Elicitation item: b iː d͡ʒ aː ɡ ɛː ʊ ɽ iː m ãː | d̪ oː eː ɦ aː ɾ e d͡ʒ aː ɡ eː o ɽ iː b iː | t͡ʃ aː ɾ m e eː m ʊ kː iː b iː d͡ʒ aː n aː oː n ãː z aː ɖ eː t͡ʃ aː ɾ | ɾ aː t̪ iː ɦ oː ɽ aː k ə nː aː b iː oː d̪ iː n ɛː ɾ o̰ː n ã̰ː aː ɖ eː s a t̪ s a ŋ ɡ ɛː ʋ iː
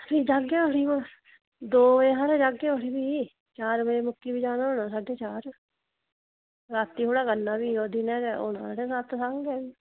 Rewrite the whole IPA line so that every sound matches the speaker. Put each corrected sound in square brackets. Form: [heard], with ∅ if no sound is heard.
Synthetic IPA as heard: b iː d͡ʒ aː ɡ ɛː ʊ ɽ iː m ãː | d̪ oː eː ɦ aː ɾ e d͡ʒ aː ɡ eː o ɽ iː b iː | t͡ʃ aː ɾ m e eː m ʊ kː iː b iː d͡ʒ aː n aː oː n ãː [s] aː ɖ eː t͡ʃ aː ɾ | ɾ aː t̪ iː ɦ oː ɽ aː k ə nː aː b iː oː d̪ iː n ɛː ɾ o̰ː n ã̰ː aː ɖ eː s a t̪ s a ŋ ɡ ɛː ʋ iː